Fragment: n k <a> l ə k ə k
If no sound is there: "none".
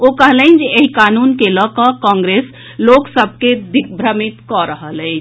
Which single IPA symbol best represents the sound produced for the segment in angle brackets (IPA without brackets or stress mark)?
e